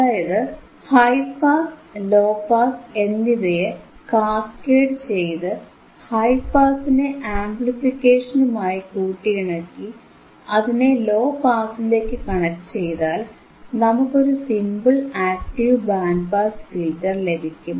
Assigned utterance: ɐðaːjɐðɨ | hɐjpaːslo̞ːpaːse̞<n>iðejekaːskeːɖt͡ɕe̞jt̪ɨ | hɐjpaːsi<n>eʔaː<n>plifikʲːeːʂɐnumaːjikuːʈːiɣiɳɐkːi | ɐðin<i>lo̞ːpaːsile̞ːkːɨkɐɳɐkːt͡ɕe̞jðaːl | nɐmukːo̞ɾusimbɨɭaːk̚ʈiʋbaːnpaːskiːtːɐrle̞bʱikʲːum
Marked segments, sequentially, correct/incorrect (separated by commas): incorrect, correct, incorrect, incorrect